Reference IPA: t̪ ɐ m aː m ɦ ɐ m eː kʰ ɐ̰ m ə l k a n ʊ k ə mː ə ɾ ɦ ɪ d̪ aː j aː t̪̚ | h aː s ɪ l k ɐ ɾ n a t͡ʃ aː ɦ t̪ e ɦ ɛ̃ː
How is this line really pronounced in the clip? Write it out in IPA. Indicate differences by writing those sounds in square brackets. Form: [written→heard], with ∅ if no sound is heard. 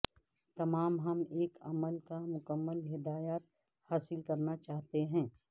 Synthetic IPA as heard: t̪ ɐ m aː m ɦ ɐ m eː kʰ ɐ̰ m ə l k a [n→m] ʊ k ə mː ə [ɾ→l] ɦ ɪ d̪ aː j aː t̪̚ | h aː s ɪ l k ɐ ɾ n a t͡ʃ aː ɦ t̪ e ɦ ɛ̃ː